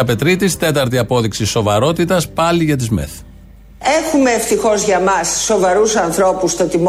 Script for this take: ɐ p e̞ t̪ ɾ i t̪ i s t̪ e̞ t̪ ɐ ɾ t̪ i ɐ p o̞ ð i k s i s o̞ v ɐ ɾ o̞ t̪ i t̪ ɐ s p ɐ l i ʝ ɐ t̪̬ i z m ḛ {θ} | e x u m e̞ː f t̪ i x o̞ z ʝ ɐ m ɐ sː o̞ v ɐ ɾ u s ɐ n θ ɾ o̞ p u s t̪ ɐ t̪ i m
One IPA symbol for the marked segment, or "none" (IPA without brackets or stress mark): θ